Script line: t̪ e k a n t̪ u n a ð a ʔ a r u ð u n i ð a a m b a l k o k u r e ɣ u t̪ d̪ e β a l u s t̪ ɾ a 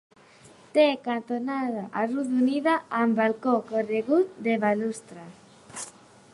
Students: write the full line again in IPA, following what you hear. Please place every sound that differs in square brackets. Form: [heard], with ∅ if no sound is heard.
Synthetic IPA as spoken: t̪ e k a n t̪ [o] n a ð a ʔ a r u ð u n i ð a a m b a l k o k [o] r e ɣ u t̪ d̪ e β a l u s t̪ ɾ a